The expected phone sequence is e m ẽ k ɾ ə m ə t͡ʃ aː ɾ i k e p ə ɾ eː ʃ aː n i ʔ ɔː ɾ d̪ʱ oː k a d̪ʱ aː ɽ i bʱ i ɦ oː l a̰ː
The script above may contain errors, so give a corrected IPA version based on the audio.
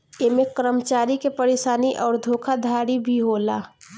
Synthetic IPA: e m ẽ k ɾ ə m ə t͡ʃ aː ɾ i k e p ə ɾ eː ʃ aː n i ʔ ɔː ɾ d̪ʱ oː kʰ a d̪ʱ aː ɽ i bʱ i ɦ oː l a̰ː